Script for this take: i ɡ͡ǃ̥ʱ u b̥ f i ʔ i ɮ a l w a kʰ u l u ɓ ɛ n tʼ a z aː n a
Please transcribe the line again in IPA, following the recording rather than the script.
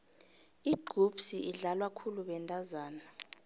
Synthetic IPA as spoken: i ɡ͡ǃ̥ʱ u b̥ s i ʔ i ɮ a l w a kʰ u l u ɓ ɛ n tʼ a z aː n a